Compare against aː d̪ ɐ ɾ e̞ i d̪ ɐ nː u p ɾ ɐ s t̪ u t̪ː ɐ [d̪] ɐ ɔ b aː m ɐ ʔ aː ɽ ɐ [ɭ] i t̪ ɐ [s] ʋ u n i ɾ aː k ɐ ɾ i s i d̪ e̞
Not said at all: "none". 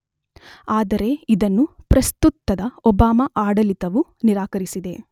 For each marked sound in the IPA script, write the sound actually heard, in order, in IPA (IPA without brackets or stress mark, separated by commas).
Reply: d̪, l, none